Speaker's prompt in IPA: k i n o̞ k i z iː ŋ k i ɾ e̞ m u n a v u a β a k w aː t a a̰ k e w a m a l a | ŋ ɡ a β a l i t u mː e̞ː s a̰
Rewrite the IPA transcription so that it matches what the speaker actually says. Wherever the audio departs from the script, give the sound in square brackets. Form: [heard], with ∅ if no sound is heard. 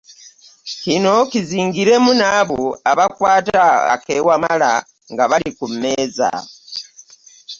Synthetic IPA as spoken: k i n o̞ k i z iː ŋ [ɡ] i ɾ e̞ m u n a [β] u a β a k w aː t a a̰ k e w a m a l a | ŋ ɡ a β a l i [k] u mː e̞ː [z] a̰